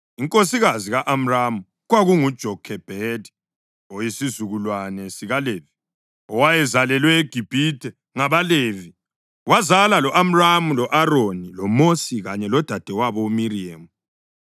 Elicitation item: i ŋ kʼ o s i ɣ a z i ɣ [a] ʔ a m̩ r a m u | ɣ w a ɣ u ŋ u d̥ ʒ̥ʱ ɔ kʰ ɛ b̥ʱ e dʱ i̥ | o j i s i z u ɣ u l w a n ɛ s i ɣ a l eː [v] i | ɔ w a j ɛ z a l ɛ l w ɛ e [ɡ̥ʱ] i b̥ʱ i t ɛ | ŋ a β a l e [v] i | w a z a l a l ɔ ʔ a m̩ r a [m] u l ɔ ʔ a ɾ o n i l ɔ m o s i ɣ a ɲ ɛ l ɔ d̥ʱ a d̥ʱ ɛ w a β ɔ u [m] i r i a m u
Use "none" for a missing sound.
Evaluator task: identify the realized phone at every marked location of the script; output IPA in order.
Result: a, v, ɡ̥ʱ, v, m, m

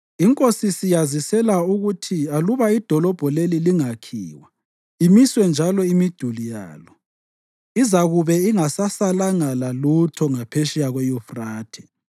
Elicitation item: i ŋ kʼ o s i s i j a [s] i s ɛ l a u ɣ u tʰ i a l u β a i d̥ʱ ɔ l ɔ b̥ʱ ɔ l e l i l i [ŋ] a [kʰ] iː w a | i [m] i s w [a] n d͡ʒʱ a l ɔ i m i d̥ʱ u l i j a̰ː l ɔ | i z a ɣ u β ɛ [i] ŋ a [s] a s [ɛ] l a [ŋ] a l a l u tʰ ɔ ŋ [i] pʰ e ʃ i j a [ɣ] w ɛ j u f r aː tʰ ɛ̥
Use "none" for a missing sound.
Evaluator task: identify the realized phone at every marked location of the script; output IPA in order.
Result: z, ŋ, kʰ, m, ɛ, i, s, a, ŋ, a, ɣ

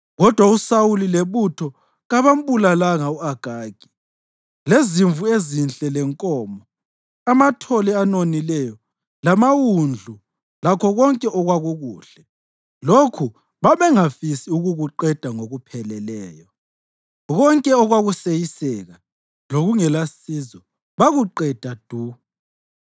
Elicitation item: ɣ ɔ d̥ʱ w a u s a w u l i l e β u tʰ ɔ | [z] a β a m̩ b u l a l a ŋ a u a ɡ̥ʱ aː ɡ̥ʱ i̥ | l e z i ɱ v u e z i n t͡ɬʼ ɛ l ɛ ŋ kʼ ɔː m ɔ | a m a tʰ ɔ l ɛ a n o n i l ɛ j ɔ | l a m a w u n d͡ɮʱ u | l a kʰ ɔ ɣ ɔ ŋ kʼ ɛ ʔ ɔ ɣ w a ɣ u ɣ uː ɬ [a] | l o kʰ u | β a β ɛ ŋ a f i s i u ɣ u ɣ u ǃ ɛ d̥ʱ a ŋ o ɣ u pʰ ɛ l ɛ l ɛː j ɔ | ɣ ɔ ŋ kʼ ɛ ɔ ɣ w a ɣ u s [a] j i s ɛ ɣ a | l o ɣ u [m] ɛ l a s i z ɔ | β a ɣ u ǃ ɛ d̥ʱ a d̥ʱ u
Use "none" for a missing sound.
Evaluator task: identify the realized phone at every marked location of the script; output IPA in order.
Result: ɣ, ɛ, e, ŋ

